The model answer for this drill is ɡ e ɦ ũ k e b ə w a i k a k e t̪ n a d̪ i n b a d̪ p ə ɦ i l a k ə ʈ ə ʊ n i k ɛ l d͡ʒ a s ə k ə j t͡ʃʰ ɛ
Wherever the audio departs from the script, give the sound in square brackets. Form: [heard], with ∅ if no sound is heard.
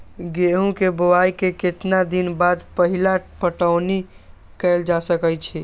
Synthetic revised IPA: ɡ e ɦ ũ k e b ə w a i k [e] k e t̪ n a d̪ i n b a d̪ p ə ɦ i l a [p] ə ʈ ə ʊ n i k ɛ l d͡ʒ a s ə k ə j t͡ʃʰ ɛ